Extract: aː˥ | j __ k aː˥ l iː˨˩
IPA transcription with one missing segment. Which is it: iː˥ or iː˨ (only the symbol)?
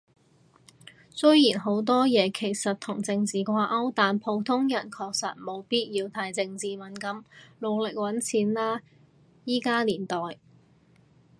iː˥